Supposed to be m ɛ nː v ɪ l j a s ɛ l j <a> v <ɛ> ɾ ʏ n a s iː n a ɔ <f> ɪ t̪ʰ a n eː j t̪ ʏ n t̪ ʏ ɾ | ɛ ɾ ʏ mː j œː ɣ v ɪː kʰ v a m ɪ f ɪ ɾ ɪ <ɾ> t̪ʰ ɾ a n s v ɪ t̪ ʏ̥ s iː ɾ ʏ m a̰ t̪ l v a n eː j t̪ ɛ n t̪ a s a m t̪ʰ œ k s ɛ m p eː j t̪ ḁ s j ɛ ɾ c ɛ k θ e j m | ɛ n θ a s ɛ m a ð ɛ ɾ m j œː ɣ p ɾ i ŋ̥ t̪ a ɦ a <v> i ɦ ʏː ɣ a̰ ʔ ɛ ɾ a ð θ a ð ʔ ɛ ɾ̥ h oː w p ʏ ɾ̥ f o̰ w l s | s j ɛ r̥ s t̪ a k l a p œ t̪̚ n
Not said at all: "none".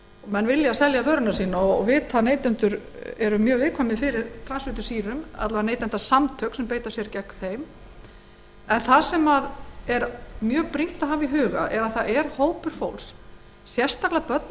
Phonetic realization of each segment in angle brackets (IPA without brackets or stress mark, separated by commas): a, œ, v, ɾ, v